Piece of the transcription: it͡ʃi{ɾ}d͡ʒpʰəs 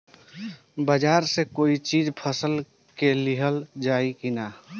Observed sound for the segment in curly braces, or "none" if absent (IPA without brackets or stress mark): none